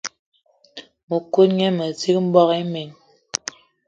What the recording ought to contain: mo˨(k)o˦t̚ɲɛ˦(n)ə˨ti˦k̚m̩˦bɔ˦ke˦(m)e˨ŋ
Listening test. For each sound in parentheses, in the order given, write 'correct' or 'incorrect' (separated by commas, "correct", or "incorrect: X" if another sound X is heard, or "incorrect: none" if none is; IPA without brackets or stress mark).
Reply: correct, incorrect: m, correct